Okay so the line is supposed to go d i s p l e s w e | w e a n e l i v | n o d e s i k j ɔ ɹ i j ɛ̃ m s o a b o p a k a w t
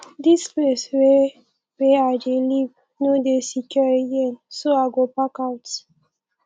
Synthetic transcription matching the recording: d i s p l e s w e | w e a d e l i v | n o d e s i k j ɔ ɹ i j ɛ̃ n s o a ɡ o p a k a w t